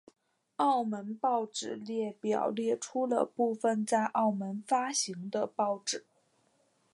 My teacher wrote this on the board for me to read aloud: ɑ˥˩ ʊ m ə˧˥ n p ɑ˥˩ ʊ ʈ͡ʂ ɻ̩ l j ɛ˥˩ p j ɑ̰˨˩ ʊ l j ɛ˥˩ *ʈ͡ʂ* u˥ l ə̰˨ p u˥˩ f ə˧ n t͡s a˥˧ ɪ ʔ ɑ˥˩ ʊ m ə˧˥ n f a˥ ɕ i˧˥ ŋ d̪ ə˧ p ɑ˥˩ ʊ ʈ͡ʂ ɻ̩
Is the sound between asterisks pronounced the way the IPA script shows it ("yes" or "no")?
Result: no